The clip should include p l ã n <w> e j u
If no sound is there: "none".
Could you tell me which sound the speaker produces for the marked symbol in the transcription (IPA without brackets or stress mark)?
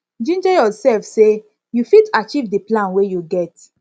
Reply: w